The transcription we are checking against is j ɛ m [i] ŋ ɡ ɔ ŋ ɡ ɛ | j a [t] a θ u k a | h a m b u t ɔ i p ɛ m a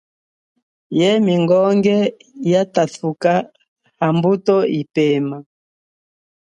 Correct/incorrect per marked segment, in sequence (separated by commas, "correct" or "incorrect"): correct, correct